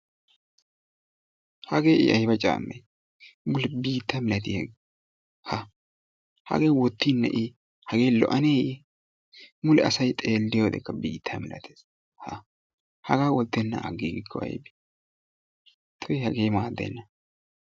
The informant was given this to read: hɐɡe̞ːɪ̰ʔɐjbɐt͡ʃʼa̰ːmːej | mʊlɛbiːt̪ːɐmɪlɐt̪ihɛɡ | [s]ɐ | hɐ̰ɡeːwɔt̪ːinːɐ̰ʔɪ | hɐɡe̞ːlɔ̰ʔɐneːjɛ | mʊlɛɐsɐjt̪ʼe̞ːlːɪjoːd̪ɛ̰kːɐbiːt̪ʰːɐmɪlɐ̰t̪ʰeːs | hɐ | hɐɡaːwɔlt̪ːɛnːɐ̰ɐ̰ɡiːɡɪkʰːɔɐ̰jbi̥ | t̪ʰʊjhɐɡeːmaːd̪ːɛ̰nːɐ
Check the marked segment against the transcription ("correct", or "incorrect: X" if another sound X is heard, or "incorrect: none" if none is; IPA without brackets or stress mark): incorrect: h